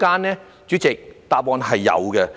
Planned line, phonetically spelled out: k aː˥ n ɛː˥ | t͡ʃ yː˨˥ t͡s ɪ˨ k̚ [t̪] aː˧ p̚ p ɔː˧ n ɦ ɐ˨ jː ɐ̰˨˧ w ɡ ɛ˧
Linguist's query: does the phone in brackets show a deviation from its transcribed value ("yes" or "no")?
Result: no